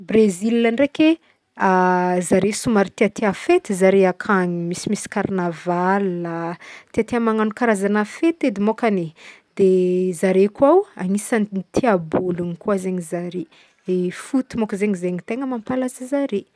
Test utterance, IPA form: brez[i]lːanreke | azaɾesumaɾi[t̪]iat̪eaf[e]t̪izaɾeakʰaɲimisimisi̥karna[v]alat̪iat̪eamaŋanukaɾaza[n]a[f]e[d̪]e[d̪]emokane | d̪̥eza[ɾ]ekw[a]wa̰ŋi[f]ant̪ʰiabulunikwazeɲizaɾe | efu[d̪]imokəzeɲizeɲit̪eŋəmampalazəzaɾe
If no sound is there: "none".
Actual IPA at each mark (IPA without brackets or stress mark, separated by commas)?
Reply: i, t̪, e, v, n, f, t̪, d̪, ɾ, a, s, t̪